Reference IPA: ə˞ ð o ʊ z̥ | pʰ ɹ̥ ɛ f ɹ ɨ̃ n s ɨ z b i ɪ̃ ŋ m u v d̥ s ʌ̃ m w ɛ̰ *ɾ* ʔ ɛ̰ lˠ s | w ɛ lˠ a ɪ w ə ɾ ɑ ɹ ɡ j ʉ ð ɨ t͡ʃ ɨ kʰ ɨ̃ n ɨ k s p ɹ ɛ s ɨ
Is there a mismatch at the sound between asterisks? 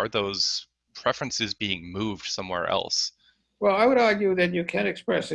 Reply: yes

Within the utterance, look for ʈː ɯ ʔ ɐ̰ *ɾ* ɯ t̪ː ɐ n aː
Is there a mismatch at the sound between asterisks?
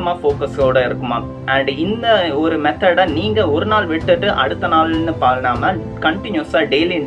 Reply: yes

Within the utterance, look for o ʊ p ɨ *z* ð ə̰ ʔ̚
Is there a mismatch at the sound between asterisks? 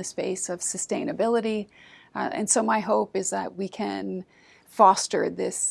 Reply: no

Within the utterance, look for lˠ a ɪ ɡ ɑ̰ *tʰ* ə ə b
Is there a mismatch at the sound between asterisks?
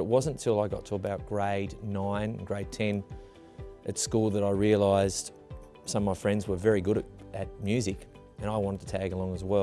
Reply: no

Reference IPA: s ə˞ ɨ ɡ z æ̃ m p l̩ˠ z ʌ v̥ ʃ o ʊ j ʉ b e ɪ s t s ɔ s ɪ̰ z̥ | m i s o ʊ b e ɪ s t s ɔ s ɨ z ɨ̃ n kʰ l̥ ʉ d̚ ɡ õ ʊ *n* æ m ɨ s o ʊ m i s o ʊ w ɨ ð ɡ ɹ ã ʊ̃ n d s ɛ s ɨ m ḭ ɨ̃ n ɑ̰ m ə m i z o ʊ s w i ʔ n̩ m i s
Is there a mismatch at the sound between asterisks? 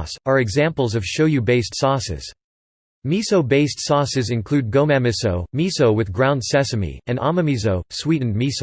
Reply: yes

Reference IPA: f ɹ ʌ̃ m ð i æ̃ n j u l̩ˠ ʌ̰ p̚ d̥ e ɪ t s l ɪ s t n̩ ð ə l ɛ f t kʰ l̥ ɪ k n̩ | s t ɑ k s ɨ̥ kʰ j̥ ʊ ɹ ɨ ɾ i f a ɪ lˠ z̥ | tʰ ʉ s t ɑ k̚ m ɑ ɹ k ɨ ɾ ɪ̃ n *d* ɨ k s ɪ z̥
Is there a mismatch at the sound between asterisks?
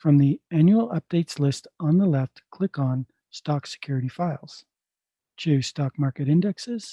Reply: no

